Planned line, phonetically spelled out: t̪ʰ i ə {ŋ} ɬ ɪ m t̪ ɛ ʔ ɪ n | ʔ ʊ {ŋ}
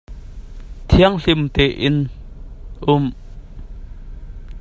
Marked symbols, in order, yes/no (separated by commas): yes, no